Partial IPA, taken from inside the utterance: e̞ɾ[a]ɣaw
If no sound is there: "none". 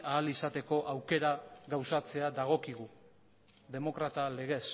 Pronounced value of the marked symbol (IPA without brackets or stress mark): a